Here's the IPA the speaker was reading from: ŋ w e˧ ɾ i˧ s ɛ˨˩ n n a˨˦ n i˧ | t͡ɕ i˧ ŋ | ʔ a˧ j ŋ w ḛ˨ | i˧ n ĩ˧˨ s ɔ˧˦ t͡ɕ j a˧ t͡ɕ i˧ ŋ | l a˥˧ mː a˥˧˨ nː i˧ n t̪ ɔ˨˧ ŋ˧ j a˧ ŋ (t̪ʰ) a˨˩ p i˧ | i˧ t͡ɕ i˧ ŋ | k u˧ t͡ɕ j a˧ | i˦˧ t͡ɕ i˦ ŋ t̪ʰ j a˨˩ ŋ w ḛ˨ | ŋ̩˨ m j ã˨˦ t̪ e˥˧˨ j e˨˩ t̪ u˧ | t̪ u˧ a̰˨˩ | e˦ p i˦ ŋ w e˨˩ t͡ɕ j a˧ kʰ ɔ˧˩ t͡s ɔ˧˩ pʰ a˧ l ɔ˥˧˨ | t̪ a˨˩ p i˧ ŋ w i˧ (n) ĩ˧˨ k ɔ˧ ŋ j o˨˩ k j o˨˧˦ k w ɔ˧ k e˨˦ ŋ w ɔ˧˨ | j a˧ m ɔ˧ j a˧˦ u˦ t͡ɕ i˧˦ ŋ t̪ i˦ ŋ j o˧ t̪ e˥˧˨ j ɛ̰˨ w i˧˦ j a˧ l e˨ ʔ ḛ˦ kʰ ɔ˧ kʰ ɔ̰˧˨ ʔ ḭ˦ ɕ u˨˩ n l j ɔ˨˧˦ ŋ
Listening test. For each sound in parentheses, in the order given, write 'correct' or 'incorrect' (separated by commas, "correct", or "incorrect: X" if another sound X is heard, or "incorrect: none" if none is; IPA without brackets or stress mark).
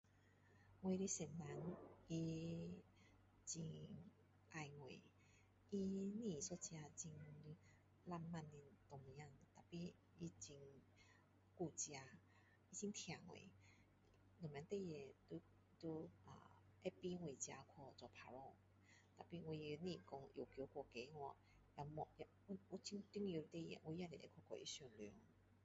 incorrect: t̪, correct